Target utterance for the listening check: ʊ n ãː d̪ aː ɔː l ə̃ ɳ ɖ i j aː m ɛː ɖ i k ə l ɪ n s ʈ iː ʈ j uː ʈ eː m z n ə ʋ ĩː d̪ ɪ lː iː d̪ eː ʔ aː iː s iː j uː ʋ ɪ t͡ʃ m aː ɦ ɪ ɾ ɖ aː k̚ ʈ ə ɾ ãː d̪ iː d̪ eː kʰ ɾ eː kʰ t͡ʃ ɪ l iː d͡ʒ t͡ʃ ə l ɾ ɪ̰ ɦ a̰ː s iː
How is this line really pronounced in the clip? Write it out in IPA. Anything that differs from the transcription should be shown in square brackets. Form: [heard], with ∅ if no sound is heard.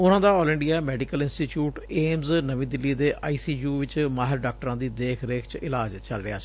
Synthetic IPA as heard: ʊ n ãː d̪ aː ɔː l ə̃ ɳ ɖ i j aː m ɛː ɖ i k ə l ɪ n s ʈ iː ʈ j uː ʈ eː m z n ə ʋ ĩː d̪ ɪ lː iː d̪ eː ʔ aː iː s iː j uː ʋ ɪ t͡ʃ m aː ɦ ɪ ɾ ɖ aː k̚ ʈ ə ɾ ãː d̪ iː d̪ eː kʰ ɾ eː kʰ t͡ʃ ɪ l [aː] d͡ʒ t͡ʃ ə l ɾ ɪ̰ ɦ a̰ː s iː